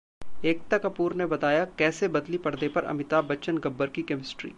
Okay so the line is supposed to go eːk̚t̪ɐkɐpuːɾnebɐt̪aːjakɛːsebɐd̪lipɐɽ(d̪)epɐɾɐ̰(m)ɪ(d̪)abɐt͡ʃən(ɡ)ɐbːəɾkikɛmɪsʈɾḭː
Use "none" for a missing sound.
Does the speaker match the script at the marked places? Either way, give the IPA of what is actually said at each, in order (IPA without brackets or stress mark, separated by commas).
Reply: d̪, m, t̪, ɡ